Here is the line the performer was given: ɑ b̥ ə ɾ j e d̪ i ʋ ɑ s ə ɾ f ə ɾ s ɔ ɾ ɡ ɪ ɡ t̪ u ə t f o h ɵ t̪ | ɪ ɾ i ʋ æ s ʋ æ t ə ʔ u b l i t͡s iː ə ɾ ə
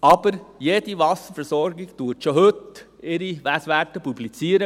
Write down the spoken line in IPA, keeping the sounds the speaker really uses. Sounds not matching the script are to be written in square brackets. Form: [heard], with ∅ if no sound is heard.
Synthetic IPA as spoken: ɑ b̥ ə ɾ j e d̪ i ʋ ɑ s ə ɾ f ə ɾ s ɔ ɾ ɡ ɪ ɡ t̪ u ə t [ʃ] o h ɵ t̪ | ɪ ɾ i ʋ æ s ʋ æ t ə [p] u b l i t͡s iː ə ɾ ə

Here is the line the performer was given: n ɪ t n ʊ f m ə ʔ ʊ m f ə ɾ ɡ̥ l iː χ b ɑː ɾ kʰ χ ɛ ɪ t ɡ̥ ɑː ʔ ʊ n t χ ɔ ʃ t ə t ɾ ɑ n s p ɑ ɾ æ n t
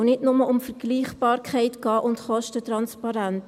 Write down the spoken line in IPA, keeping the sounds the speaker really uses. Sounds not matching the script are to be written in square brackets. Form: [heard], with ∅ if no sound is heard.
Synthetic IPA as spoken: n ɪ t n ʊ [∅] m ə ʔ ʊ m f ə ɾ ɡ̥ l iː χ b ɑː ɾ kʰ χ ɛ ɪ t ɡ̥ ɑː ʔ ʊ n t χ ɔ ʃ t ə t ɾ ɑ n s p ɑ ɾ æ n t

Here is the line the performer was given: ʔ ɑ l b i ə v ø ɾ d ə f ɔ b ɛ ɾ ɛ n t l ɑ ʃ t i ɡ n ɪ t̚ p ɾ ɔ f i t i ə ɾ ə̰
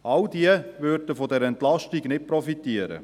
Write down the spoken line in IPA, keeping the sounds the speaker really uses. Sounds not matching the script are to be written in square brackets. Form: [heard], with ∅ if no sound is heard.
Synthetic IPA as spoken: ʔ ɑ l [d] i ə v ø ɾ d ə f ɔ [d] ɛ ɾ ɛ n t l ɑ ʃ t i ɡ n ɪ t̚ p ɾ ɔ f i t i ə ɾ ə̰

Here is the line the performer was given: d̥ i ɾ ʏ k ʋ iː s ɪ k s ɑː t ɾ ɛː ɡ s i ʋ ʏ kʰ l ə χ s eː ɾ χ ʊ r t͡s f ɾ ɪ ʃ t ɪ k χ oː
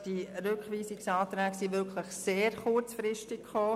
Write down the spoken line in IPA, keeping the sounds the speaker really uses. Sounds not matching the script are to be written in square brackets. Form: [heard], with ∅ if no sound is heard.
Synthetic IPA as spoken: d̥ i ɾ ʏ k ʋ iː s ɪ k s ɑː t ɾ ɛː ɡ s i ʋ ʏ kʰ l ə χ s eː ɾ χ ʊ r t͡s f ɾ ɪ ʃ t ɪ k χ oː

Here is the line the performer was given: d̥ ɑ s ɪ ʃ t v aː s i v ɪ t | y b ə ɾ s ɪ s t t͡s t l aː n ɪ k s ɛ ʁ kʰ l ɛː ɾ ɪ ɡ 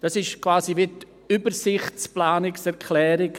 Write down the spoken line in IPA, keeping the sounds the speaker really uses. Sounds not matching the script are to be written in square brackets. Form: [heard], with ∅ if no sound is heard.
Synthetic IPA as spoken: d̥ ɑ s ɪ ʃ [k] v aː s i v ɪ t | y b ə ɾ s ɪ [χ] t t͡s [p] l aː n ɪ k s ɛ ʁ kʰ l ɛː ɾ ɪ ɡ

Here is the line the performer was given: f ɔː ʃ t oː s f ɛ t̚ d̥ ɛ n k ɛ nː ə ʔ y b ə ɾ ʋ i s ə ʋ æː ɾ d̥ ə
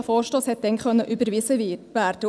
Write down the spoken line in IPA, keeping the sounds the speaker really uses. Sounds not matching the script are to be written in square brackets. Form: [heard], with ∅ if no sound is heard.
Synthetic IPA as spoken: f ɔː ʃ t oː s [h] ɛ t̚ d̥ ɛ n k [œ] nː ə ʔ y b ə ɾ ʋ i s ə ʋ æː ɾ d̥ ə

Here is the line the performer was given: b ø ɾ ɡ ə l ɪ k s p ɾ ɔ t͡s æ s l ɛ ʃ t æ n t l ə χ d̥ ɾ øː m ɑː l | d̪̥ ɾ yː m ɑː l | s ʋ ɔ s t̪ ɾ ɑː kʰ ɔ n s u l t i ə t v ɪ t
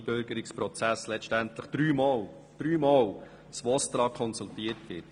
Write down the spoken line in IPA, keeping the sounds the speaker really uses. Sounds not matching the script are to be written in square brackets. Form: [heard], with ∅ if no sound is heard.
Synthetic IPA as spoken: b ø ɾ ɡ ə [ɾ] ɪ k s p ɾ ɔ t͡s æ s l ɛ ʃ t æ n t l ə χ d̥ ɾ [yː] m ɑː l | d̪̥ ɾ yː m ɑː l | s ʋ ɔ s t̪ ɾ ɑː kʰ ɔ n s u l t i ə t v ɪ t

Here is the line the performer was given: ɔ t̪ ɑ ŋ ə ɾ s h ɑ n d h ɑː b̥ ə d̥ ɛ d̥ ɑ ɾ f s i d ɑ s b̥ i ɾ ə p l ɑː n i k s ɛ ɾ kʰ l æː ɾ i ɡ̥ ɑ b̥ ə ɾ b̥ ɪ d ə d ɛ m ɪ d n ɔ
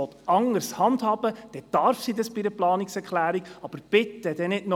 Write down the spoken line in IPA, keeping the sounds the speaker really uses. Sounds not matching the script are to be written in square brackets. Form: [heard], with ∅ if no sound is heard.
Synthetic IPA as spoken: ɔ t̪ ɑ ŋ ə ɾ s h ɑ n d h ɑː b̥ ə d̥ ɛ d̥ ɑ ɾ f s i d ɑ s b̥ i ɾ ə p l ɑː n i k s ɛ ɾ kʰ l æː ɾ i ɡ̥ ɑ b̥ ə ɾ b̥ ɪ [t] ə d ɛ [n] ɪ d n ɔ

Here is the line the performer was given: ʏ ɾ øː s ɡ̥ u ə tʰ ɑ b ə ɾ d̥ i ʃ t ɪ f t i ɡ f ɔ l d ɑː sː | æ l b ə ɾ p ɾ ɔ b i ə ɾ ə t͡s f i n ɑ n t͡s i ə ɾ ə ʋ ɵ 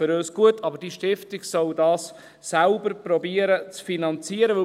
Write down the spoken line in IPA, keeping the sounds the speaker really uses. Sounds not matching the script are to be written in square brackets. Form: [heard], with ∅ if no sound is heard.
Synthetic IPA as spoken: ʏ ɾ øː s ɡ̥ u ə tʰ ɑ b ə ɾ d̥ i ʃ t ɪ f t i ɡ [s] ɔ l d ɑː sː | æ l b ə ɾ p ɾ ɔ b i ə ɾ ə t͡s f i n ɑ n t͡s i ə ɾ ə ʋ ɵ

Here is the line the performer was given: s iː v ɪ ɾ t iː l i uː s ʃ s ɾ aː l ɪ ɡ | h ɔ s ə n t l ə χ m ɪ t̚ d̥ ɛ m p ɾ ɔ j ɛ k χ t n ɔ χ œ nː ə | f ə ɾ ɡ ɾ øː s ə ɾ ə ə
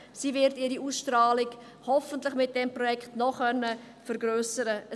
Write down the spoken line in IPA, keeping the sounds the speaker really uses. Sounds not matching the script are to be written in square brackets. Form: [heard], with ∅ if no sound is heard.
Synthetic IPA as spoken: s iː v ɪ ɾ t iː [ɾ] i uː s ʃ [t] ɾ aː l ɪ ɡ | h ɔ [f] ə n t l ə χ m ɪ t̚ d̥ ɛ m p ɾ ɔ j ɛ k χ t n ɔ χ œ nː ə | f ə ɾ ɡ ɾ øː s ə ɾ ə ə

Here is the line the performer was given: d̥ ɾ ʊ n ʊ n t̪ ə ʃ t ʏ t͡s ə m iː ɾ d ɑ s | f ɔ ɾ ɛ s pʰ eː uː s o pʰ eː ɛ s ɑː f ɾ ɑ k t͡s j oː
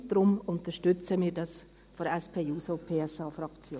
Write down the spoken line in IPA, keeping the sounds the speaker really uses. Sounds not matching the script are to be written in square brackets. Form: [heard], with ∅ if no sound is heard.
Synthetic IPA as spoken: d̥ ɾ ʊ [m] ʊ n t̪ ə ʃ t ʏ t͡s ə m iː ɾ d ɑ s | f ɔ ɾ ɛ s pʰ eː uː s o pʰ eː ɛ s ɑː f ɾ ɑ k t͡s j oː

